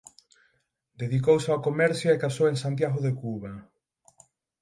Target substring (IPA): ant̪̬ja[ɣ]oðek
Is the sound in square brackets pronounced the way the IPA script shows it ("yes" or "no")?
yes